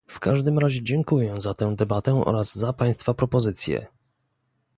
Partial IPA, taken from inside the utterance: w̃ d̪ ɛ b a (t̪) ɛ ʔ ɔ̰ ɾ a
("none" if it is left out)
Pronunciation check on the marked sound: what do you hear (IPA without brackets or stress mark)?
t̪